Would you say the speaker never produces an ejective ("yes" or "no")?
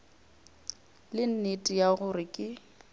no